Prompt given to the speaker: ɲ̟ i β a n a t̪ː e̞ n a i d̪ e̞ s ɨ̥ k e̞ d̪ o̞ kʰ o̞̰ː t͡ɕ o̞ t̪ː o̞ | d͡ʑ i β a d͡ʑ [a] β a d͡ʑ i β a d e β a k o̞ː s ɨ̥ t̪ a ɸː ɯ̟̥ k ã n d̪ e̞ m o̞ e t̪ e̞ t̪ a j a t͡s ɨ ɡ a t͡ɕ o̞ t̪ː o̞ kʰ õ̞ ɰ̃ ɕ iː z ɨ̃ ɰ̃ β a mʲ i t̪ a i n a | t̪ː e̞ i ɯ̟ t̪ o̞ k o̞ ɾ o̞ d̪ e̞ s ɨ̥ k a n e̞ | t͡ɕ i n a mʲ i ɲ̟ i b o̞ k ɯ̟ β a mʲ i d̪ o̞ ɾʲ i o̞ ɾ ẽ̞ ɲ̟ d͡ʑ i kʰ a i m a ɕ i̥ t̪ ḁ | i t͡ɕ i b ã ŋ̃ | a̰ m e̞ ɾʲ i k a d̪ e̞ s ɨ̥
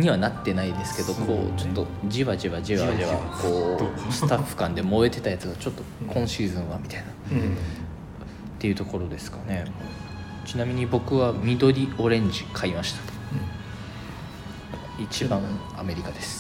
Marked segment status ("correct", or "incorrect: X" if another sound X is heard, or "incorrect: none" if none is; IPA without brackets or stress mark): incorrect: i